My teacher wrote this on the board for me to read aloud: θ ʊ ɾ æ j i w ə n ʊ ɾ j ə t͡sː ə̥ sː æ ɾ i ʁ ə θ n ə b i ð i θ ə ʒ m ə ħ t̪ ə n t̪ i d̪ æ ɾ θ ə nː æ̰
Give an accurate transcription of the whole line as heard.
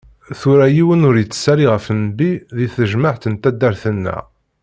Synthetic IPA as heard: θ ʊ ɾ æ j i w ə n ʊ ɾ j ə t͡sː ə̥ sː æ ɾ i ʁ ə f n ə b i ð i θ ə ʒ m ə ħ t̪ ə n t̪ æ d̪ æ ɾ θ ə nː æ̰